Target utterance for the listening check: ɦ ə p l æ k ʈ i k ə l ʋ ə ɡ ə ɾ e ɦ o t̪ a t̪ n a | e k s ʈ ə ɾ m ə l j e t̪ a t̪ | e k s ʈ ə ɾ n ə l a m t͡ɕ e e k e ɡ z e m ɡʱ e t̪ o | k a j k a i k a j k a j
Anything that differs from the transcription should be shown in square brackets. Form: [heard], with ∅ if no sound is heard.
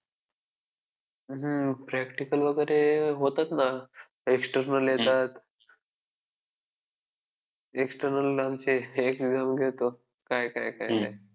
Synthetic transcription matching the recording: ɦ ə p [ɾ] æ k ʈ i k ə l ʋ ə ɡ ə ɾ e ɦ o t̪ a t̪ n a | e k s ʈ ə ɾ [n] ə l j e t̪ a t̪ | e k s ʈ ə ɾ n ə l a m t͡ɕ e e k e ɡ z [a] m ɡʱ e t̪ o | k a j k a [j] k a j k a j